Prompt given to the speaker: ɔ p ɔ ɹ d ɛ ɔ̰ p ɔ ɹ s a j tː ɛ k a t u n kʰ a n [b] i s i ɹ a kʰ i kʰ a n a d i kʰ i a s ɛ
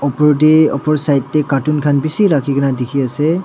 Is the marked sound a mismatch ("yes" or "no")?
no